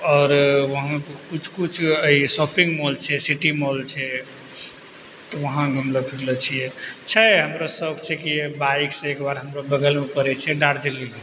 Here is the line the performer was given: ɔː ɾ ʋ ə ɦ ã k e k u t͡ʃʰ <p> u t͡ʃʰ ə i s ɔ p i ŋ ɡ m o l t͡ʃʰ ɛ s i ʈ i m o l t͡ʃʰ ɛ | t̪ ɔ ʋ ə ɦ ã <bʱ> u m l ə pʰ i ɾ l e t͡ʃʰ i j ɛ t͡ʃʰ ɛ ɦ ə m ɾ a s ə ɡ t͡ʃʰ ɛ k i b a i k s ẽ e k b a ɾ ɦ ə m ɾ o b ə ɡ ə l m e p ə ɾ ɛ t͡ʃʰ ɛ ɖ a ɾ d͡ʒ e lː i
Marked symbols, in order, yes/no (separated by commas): no, no